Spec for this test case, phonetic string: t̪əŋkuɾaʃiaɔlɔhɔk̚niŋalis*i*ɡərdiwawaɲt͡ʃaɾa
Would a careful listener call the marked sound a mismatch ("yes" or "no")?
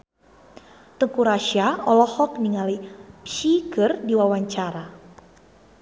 no